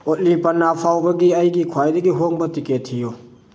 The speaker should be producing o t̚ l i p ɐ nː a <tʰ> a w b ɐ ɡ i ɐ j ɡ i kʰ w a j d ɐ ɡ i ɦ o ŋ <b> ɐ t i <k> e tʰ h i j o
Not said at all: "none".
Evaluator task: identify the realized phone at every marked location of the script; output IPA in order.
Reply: pʰ, b, k

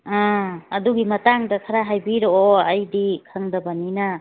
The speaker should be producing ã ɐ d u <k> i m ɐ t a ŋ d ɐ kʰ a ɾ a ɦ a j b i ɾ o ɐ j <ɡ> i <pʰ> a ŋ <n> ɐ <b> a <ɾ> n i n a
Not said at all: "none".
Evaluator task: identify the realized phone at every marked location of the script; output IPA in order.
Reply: ɡ, d, kʰ, d, b, none

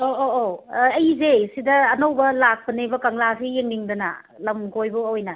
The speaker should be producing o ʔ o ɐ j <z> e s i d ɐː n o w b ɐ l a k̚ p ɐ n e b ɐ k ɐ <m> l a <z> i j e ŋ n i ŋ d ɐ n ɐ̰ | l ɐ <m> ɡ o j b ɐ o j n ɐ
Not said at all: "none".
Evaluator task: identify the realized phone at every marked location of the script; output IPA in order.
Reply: z, ŋ, s, m

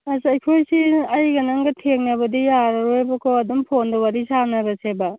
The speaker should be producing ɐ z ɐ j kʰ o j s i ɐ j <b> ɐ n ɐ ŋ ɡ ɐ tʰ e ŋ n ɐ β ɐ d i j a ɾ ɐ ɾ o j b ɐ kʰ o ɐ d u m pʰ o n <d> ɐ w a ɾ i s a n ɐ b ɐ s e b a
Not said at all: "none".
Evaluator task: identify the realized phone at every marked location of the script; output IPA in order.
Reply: ɡ, d

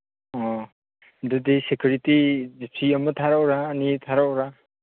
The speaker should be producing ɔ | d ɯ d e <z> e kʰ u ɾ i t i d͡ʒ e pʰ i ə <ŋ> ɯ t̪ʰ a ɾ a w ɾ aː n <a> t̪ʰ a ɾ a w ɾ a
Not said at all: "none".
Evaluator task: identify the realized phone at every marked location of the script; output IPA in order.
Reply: s, m, i

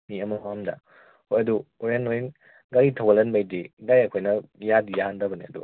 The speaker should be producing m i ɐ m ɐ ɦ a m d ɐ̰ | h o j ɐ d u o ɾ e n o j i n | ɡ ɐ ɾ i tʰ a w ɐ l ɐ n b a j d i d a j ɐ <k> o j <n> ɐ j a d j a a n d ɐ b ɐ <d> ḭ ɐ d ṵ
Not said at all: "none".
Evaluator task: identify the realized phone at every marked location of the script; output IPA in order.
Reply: kʰ, n, n

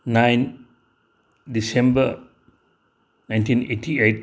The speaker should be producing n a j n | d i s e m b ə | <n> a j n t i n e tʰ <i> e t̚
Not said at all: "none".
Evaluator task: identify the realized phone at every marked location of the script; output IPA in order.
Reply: n, i

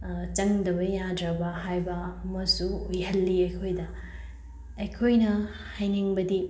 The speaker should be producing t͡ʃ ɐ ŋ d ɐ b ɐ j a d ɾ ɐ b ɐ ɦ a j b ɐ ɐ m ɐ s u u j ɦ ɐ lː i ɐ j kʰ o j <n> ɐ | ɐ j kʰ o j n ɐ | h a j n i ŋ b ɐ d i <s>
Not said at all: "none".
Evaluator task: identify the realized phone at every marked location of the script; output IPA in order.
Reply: d, none

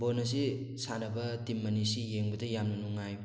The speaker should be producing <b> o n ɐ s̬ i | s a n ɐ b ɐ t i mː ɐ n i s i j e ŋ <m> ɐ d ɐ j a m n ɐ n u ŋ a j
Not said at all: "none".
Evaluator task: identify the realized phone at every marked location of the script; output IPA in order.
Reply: b, b

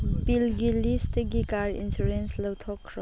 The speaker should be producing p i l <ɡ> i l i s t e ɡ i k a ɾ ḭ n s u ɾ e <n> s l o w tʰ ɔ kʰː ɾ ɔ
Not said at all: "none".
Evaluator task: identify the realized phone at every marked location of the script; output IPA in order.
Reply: ɡ, n

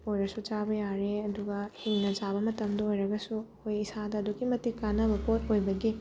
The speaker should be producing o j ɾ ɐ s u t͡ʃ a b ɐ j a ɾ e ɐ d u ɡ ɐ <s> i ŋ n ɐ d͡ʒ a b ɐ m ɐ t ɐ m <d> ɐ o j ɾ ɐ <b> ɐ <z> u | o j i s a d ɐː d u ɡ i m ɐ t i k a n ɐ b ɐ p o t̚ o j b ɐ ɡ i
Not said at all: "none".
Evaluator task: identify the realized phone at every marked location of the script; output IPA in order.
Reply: h, d, ɡ, s

